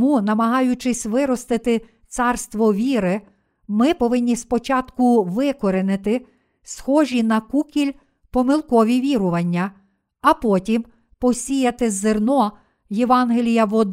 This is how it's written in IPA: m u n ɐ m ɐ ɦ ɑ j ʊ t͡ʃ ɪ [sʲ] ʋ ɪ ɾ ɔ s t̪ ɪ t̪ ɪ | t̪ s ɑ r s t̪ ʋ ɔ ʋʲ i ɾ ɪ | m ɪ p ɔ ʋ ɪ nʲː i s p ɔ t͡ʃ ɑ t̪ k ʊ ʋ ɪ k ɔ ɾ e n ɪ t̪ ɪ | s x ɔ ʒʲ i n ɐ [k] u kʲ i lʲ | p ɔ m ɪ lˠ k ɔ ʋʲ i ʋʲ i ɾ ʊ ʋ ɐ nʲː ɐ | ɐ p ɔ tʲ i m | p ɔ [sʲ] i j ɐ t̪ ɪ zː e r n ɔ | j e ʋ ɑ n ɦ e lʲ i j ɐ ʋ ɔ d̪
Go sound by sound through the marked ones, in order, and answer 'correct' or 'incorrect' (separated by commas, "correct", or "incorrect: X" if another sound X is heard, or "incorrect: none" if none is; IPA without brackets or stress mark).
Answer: correct, correct, correct